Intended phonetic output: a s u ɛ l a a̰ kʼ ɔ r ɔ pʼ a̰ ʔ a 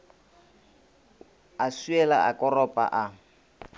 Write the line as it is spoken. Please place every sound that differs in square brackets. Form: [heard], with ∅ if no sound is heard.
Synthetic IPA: a s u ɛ l a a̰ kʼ ɔ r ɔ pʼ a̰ ʔ a